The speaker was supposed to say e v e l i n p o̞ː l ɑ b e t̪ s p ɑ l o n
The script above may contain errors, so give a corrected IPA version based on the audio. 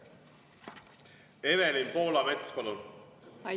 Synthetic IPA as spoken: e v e l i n p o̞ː l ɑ m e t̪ s p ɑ l u n